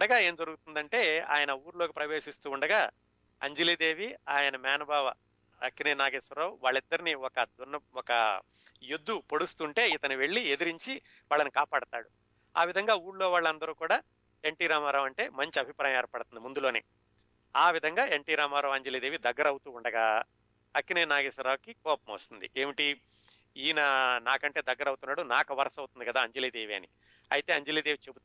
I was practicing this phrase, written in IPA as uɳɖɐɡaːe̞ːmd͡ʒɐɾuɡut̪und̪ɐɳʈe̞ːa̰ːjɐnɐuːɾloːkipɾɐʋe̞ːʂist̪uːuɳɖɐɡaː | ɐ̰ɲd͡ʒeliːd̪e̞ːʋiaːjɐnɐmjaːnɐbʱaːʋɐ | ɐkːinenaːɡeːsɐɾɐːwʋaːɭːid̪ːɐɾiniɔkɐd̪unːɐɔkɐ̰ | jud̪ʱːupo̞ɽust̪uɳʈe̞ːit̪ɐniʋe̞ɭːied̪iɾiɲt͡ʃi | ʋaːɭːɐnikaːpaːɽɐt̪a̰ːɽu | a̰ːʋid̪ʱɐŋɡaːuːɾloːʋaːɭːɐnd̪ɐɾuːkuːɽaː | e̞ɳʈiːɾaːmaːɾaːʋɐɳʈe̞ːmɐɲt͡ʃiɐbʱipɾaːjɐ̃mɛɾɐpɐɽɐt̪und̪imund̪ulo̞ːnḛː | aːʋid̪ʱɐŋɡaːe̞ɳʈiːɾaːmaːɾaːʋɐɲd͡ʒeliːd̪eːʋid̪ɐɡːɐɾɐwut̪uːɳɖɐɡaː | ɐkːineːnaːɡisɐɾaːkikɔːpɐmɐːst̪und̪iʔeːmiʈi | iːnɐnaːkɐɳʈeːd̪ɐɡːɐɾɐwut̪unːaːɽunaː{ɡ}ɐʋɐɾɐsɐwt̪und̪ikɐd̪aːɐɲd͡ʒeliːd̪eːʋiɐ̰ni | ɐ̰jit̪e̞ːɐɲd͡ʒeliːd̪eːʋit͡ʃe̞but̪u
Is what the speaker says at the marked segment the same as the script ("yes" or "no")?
no